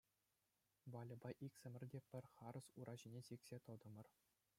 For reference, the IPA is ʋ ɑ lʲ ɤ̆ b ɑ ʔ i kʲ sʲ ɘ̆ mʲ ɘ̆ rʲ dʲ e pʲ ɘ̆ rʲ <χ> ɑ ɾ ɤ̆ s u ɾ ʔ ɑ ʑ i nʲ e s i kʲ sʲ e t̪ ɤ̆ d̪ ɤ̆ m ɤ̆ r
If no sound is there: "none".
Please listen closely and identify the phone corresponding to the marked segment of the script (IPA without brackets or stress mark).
χ